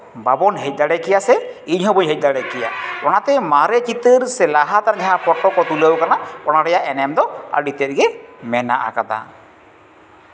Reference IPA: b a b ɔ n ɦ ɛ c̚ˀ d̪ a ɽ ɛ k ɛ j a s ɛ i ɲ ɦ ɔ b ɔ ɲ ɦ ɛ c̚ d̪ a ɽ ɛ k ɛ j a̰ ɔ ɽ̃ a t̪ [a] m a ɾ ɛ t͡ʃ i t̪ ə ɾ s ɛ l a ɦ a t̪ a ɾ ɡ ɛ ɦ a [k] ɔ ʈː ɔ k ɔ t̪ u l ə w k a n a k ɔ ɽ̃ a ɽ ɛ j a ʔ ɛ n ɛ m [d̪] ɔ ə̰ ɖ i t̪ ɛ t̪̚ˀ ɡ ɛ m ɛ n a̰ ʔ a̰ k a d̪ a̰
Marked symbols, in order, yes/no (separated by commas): no, no, yes